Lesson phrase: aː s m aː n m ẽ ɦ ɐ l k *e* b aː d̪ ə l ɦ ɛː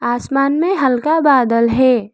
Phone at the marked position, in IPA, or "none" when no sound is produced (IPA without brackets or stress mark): a